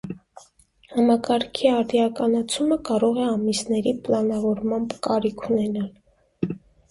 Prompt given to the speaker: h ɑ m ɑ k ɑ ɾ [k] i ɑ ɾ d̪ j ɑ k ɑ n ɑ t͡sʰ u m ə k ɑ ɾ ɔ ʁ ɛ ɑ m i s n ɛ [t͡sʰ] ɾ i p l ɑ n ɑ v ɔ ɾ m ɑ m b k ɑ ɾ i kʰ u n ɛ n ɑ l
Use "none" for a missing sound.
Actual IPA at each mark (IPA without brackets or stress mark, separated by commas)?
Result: kʰ, none